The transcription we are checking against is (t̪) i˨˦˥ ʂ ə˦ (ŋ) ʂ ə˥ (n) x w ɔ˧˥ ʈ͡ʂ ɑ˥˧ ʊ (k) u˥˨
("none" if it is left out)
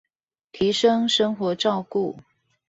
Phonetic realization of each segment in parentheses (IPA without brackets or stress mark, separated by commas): t̪ʰ, ŋ, ŋ, k